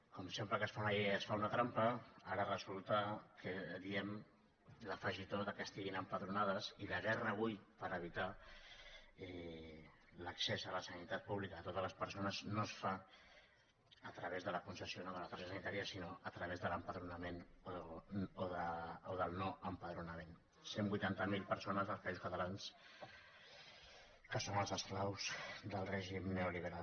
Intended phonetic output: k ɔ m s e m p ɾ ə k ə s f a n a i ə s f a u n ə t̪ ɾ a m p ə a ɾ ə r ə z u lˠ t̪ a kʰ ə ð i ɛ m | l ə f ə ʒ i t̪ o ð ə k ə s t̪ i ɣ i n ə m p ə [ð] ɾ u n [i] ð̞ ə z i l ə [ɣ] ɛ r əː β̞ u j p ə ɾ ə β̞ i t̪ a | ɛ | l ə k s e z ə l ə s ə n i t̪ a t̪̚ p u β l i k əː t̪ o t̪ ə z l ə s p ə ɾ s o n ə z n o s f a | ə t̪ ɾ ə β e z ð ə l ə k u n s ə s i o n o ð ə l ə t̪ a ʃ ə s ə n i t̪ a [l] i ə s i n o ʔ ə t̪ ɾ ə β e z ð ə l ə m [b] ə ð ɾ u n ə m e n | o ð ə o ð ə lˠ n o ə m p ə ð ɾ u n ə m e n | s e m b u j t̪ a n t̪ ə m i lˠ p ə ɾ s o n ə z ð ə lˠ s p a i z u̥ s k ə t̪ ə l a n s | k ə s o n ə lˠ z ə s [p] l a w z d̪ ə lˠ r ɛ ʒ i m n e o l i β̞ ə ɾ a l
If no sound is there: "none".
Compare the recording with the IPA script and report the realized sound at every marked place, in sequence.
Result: ð, a, ɣ, ɾ, p, k

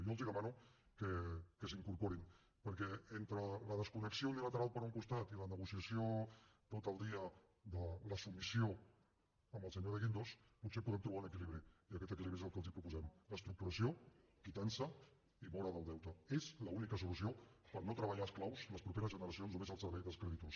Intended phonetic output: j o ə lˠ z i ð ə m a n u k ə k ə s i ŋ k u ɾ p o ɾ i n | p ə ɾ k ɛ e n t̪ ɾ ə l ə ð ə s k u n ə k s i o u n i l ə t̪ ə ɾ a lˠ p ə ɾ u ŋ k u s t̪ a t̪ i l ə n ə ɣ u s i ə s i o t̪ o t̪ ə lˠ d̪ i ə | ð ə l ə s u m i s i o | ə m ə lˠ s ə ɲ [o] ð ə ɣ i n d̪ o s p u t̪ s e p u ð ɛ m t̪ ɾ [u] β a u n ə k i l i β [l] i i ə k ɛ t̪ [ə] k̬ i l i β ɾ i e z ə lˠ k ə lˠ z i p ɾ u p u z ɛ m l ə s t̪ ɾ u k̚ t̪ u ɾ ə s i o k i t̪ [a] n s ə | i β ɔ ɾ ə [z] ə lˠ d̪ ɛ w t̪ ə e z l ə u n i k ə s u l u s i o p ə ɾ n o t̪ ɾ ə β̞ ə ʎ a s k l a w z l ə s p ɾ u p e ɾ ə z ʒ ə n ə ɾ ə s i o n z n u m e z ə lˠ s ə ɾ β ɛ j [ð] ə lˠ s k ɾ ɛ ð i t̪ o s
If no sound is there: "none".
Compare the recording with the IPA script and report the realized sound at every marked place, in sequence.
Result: o, u, ɾ, ə, a, ð, ð

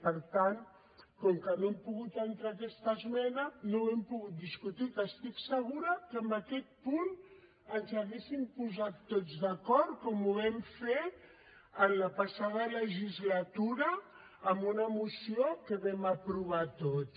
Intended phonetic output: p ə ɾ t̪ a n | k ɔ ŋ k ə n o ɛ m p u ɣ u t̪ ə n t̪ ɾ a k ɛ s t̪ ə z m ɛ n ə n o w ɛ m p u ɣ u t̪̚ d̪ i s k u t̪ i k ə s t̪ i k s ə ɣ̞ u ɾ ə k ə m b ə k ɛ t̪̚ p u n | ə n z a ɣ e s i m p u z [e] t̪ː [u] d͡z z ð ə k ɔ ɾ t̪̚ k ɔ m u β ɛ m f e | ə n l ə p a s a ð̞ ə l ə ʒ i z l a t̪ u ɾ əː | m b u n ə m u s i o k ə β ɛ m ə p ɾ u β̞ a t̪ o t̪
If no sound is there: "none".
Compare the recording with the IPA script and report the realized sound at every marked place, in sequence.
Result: a, o

